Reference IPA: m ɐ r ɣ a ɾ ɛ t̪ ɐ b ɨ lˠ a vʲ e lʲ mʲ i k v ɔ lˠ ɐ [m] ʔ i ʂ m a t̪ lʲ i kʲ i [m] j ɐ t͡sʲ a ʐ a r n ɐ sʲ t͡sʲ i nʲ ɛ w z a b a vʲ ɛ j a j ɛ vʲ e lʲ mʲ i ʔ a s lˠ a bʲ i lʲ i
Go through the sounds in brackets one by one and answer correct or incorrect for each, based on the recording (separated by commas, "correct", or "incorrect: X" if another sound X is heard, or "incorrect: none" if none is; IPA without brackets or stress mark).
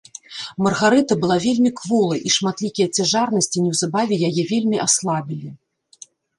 incorrect: none, incorrect: none